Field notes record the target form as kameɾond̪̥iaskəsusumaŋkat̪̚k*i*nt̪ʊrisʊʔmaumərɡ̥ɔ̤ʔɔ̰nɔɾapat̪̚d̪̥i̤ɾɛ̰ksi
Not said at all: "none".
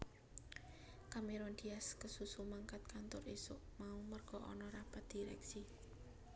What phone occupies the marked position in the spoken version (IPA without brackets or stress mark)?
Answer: a